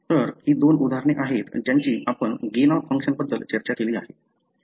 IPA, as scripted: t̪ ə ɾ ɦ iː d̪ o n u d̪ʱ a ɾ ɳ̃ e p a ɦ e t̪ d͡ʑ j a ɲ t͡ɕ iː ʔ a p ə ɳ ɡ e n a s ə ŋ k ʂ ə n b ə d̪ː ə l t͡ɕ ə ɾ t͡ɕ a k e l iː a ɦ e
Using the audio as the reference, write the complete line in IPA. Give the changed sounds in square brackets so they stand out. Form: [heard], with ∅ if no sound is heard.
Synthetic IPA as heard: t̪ ə ɾ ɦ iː d̪ o n u d̪ʱ a ɾ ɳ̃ e [ʔ] a ɦ e t̪ d͡ʑ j a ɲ t͡ɕ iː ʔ a p ə ɳ ɡ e n a [f] ə ŋ k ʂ ə n b ə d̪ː ə l t͡ɕ ə ɾ t͡ɕ a k e l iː a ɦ e